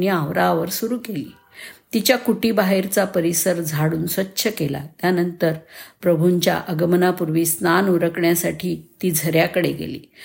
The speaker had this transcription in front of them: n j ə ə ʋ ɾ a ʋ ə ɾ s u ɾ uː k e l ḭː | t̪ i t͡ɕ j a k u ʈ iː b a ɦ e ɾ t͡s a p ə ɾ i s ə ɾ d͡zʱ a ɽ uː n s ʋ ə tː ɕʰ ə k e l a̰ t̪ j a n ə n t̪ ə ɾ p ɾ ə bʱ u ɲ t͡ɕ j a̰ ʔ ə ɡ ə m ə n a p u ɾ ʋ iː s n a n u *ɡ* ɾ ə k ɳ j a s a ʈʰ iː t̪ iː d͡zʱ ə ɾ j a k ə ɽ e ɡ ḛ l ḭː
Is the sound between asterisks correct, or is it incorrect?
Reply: incorrect